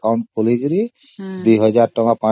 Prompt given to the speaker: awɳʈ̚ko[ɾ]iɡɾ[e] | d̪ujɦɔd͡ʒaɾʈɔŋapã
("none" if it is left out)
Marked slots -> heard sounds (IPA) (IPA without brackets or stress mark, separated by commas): l, i